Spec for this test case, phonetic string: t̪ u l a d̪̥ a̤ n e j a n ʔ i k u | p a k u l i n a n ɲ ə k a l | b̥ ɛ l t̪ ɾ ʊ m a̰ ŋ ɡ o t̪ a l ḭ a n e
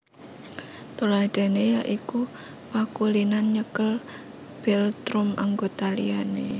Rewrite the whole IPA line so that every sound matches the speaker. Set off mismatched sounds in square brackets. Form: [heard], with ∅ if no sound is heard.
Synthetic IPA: t̪ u l a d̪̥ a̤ n e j a [∅] ʔ i k u | p a k u l i n a n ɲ ə k [ə] l | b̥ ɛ l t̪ ɾ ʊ m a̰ ŋ ɡ o t̪ a l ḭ a n e